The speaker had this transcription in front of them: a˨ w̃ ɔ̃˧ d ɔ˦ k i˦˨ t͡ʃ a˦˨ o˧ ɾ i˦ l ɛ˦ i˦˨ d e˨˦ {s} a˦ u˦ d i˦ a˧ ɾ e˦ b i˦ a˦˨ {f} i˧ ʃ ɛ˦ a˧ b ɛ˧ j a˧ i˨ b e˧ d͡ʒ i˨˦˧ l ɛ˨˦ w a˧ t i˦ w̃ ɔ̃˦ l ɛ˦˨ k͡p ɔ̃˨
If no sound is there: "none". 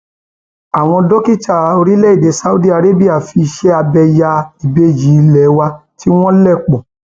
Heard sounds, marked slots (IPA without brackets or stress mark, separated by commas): s, f